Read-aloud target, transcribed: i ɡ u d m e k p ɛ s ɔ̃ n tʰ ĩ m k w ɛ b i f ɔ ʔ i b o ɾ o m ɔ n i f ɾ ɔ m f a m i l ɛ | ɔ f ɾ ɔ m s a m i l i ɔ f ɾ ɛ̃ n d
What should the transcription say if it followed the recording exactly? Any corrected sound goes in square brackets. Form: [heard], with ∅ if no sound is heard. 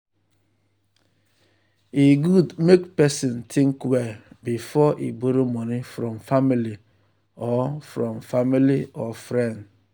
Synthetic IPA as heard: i ɡ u d m e k p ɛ s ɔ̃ n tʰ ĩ [ŋ] k w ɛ b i f ɔ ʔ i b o ɾ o m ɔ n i f ɾ ɔ m f a m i l [i] | ɔ f ɾ ɔ m [f] a m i l i ɔ f ɾ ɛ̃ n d